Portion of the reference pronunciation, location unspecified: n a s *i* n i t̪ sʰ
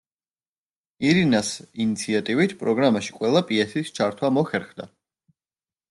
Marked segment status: correct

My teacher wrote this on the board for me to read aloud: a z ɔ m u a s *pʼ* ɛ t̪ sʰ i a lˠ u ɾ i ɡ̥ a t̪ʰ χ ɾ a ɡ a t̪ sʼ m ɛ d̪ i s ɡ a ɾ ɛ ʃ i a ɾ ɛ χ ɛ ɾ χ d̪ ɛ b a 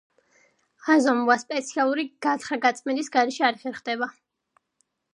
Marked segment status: correct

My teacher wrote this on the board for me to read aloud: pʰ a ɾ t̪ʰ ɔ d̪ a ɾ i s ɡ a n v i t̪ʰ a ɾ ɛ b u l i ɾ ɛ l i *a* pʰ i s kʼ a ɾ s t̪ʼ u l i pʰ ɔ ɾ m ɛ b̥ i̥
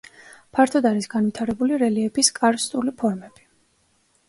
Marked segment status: incorrect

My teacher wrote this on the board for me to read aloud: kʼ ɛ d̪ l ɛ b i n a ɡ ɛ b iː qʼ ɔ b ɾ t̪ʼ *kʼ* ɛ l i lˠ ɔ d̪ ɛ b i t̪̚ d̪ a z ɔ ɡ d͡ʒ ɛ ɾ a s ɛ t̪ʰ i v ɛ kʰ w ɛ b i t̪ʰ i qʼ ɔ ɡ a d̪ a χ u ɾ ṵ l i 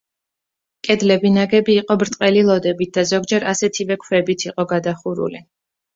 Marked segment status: incorrect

